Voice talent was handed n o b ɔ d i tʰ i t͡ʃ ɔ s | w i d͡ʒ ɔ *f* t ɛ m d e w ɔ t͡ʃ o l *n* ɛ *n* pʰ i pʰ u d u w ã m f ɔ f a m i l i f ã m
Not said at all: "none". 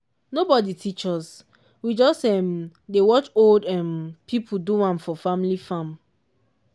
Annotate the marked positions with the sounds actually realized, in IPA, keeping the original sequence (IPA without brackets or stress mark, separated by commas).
s, d, m